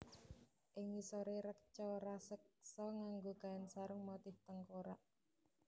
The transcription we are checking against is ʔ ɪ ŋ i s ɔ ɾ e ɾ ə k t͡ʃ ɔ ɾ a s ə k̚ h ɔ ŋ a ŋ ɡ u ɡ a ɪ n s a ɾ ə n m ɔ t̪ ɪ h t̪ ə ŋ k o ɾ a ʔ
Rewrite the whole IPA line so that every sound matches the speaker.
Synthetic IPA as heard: ʔ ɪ ŋ i s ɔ ɾ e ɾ ə k t͡ʃ ɔ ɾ a s ə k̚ s ɔ ŋ a ŋ ɡ o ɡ a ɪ n s a ɾ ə ŋ m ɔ t̪ ɪ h t̪ ə ŋ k o ɾ a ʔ